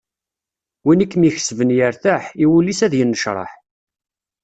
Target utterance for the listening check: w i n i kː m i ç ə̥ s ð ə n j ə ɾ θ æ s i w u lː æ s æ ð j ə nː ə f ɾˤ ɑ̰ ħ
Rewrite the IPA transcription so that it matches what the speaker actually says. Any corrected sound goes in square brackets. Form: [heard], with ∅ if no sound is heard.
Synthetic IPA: w i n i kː m i ç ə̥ s [v] ə n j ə ɾ θ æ [ħ] i w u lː [i] s æ ð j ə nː ə [ʃ] ɾˤ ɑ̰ ħ